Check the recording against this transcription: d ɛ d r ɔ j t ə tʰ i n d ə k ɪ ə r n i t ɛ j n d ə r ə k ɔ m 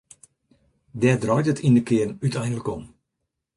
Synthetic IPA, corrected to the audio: d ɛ d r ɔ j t ə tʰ i n d ə k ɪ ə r n y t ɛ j n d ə l ə k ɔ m